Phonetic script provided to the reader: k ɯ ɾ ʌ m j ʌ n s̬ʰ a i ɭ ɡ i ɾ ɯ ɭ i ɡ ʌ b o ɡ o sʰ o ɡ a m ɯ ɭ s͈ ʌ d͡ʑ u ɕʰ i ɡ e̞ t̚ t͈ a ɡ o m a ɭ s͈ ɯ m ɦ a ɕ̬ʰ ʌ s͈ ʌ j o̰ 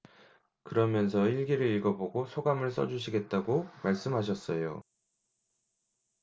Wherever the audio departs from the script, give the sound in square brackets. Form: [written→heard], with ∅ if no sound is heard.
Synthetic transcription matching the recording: k ɯ ɾ ʌ m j ʌ n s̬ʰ [a→ʌ] i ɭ ɡ i ɾ ɯ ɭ i ɡ ʌ b o ɡ o sʰ o ɡ a m ɯ ɭ s͈ ʌ d͡ʑ u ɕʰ i ɡ e̞ t̚ t͈ a ɡ o m a ɭ s͈ ɯ m ɦ a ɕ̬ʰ ʌ s͈ ʌ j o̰